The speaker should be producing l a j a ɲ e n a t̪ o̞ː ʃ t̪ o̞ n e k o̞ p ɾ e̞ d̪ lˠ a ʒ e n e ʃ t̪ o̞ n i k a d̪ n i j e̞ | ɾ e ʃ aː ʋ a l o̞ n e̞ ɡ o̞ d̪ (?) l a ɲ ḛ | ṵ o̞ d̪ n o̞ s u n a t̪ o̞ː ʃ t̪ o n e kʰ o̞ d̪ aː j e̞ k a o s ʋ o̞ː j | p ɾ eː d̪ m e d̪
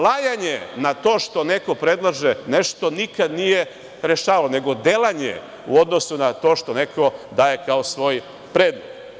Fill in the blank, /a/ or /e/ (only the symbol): e